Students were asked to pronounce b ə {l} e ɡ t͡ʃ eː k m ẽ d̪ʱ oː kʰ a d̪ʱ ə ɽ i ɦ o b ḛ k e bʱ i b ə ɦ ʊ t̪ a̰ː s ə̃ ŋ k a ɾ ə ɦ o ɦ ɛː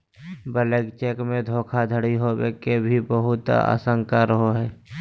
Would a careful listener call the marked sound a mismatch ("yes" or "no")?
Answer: no